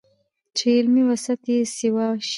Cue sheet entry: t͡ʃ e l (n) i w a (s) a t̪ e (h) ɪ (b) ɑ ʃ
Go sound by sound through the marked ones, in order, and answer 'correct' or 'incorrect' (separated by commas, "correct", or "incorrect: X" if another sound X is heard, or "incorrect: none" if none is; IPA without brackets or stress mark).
incorrect: m, correct, incorrect: s, incorrect: w